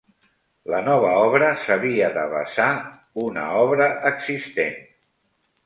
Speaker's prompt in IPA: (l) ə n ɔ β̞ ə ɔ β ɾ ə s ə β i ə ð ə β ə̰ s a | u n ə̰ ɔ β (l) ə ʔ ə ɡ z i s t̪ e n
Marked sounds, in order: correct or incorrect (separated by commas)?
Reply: correct, incorrect